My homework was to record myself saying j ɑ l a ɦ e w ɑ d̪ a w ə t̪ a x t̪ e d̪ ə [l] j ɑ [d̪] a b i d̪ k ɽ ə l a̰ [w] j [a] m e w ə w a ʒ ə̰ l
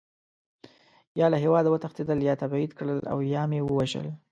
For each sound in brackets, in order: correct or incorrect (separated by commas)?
correct, incorrect, correct, incorrect